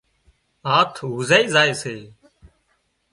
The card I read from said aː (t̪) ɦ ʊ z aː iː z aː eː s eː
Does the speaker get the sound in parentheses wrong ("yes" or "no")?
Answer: yes